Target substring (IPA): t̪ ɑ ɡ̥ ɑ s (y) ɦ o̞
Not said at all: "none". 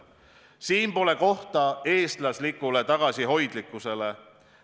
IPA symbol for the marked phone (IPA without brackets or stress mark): i